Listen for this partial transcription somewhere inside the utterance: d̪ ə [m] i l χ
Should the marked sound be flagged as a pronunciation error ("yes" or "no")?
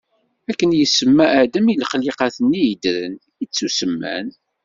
no